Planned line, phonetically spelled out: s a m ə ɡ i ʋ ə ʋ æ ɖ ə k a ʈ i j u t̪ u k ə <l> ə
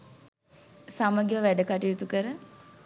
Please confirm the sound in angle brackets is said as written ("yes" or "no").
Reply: no